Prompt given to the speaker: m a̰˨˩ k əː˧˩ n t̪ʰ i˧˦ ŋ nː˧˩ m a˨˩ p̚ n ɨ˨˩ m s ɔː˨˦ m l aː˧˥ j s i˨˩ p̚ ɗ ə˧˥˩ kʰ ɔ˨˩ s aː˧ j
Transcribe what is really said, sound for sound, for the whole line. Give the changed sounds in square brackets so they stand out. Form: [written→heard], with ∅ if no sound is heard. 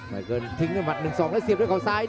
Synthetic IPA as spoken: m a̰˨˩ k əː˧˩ n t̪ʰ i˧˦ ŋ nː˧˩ m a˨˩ [p̚→t̚] n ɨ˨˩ [m→ŋ] s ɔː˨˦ [m→ŋ] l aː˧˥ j s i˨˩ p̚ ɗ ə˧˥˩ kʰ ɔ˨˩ s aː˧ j